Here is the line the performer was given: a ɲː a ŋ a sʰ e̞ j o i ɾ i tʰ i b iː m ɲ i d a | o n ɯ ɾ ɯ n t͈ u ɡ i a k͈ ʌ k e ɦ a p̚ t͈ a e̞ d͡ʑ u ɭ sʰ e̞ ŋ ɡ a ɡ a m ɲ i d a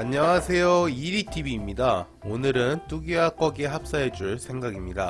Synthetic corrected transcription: a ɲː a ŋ a sʰ e̞ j o i ɾ i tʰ i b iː m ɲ i d a | o n ɯ ɾ ɯ n t͈ u ɡ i a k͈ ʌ ɡ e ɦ a p̚ s͈ a e̞ d͡ʑ u ɭ sʰ e̞ ŋ ɡ a ɡ i m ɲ i d a